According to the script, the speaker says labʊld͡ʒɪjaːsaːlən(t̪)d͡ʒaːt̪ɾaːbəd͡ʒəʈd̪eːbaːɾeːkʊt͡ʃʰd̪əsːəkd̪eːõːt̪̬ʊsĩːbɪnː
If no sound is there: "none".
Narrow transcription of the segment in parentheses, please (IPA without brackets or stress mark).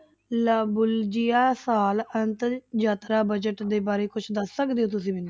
t̪